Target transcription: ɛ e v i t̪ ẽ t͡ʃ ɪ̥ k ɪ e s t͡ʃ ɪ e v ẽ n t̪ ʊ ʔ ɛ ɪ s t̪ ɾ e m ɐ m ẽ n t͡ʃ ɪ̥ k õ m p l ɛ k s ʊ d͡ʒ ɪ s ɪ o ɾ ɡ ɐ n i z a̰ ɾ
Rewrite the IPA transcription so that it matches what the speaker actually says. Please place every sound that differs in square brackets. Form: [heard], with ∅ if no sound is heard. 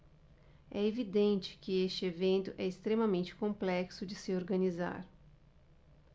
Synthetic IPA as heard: ɛ e v i [d̪] ẽ t͡ʃ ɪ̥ k ɪ e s t͡ʃ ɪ e v ẽ n t̪ ʊ ʔ ɛ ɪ s t̪ ɾ e m ɐ m ẽ n t͡ʃ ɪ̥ k õ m p l ɛ k s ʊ d͡ʒ ɪ s ɪ o ɾ ɡ ɐ n i z a̰ ɾ